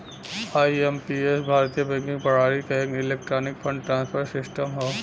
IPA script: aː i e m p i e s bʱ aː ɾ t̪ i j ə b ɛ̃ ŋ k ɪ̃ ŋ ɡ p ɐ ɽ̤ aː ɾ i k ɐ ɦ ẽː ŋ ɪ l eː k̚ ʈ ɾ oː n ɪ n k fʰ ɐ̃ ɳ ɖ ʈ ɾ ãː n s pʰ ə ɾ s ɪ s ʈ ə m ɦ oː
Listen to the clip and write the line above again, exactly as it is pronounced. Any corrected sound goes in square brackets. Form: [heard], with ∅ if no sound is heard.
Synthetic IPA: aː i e m p i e s bʱ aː ɾ t̪ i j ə b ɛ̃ ŋ k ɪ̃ ŋ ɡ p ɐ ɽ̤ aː ɾ i k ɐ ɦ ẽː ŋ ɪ l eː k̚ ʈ ɾ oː n ɪ [∅] k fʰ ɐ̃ ɳ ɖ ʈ ɾ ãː n s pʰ ə ɾ s ɪ s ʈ ə m ɦ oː